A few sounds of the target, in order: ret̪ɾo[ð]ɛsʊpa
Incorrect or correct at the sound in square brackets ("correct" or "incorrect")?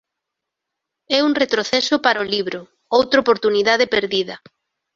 incorrect